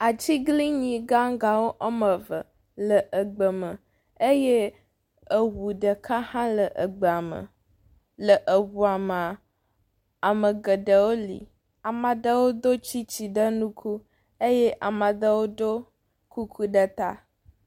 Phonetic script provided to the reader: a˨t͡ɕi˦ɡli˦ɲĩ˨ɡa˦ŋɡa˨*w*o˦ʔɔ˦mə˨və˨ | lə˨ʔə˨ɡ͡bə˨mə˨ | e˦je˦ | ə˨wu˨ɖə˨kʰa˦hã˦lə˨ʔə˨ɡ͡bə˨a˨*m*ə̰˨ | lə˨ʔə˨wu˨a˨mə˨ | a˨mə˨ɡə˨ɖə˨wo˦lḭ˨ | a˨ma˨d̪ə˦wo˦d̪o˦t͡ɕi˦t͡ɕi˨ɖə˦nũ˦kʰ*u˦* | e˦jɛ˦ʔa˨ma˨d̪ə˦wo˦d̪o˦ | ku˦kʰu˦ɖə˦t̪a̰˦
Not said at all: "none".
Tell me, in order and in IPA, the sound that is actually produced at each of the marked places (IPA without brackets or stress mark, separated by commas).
w, m, u˦